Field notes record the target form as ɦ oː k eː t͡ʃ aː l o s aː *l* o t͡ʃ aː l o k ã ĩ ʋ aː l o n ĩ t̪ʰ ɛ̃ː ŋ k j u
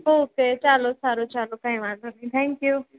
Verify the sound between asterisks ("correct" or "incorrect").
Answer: incorrect